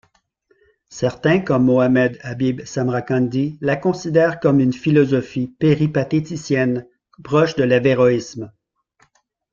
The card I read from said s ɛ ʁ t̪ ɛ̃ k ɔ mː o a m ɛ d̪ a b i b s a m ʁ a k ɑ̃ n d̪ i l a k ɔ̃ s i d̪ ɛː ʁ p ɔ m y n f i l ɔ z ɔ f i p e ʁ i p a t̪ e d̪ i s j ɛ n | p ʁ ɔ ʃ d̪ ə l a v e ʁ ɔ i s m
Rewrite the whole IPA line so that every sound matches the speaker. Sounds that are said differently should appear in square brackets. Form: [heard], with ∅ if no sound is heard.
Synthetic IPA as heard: s ɛ ʁ t̪ ɛ̃ k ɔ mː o a m ɛ d̪ a b i b s a m ʁ a k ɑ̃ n d̪ i l a k ɔ̃ s i d̪ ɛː ʁ [k] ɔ m y n f i l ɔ z ɔ f i p e ʁ i p a t̪ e [t̪] i s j ɛ n | p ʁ ɔ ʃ d̪ ə l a v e ʁ ɔ i s m